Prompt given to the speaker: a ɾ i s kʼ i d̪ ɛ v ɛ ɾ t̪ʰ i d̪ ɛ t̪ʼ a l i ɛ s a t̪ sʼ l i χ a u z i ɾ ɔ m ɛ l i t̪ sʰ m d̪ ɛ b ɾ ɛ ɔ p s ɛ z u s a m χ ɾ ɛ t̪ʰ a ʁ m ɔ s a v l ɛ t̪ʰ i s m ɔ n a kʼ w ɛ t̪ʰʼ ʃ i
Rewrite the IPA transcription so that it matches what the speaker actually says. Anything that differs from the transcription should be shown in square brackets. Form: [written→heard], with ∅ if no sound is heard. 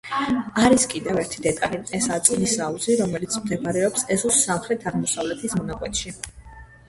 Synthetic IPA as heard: a ɾ i s kʼ i d̪ ɛ v ɛ ɾ t̪ʰ i d̪ ɛ t̪ʼ a l i ɛ s a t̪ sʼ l i [χ→s] a u z i ɾ ɔ m ɛ l i t̪ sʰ m d̪ ɛ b ɾ ɛ ɔ p s ɛ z u s a m χ ɾ ɛ t̪ʰ a ʁ m ɔ s a v l ɛ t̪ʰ i s m ɔ n a kʼ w ɛ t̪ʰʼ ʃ i